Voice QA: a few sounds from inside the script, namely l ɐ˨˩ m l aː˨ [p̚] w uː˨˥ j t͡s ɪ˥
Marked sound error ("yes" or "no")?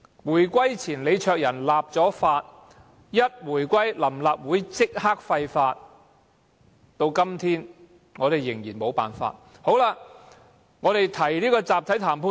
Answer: no